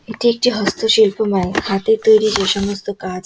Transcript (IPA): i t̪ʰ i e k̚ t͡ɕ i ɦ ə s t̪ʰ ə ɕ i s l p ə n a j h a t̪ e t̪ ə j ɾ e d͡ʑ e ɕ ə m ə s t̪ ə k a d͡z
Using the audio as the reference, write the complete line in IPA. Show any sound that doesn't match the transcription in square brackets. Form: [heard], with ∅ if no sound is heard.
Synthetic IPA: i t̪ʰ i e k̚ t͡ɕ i ɦ ə s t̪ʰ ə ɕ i [∅] l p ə [m] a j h a t̪ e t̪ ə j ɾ [i] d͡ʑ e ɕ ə m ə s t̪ ə k a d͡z